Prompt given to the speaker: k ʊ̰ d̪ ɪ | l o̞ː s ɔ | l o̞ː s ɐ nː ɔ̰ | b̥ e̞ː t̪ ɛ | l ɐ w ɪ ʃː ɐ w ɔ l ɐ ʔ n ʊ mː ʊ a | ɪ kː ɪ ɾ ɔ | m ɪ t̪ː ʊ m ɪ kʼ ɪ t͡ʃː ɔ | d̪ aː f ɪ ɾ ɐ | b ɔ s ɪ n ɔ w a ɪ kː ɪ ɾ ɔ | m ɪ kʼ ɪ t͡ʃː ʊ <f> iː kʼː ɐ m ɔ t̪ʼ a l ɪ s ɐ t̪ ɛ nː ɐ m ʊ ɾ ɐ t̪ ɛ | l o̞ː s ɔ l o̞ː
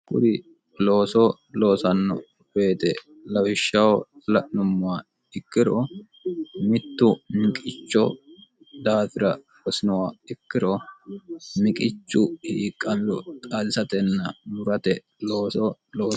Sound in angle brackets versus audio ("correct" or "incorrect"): incorrect